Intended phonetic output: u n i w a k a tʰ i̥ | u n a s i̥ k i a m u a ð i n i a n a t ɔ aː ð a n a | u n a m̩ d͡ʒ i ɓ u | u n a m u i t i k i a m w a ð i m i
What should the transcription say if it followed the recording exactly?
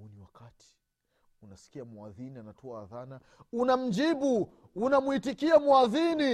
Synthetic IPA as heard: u n i w a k a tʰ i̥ | u n a s i̥ k i a m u a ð i n i a n a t ɔ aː ð a n a | u n a m̩ d͡ʒ i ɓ u | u n a m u i t i k i a m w a ð i n i